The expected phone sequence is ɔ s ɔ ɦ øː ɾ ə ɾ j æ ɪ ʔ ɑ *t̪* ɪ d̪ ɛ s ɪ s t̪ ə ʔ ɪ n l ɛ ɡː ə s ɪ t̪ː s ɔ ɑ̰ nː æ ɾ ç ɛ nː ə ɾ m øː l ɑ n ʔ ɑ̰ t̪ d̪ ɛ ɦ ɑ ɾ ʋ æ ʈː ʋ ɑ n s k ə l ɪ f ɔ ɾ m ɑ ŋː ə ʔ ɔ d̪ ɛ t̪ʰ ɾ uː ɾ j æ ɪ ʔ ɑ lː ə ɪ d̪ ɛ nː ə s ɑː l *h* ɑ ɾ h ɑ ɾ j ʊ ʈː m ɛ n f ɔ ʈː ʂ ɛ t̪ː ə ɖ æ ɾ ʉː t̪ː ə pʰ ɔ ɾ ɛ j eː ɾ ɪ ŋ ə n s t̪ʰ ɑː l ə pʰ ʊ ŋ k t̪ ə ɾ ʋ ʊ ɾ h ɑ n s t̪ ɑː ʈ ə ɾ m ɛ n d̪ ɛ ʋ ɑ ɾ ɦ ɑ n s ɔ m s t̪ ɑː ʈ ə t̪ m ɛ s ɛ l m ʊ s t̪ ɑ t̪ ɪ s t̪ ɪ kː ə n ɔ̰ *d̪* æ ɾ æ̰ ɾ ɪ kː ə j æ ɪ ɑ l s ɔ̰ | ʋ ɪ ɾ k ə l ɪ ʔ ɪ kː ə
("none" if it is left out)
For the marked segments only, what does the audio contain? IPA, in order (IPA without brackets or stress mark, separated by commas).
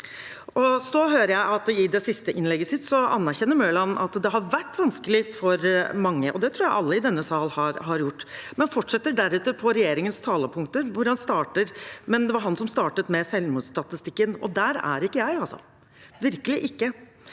t̪, h, d̪